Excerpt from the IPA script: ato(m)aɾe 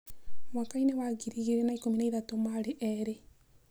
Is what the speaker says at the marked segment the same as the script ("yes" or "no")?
yes